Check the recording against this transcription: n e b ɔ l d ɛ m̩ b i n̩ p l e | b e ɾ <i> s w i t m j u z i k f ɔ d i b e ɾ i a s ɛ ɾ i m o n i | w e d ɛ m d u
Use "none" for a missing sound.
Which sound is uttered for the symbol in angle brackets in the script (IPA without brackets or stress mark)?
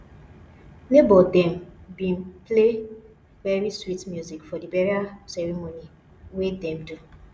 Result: i